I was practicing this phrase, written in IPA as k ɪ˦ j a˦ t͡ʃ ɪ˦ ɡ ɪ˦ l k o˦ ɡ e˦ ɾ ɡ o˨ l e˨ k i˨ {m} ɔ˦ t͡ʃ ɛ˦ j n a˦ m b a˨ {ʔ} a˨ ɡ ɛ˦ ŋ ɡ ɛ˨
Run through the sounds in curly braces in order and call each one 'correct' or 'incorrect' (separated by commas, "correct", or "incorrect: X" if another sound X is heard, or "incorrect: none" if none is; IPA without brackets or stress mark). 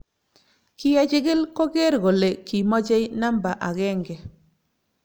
correct, correct